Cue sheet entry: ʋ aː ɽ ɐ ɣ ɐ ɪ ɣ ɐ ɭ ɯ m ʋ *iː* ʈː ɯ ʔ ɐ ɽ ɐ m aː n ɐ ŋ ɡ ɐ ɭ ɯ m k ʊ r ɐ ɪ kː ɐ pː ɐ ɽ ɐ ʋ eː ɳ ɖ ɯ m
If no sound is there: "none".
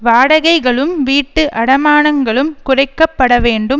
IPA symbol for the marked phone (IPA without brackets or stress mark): iː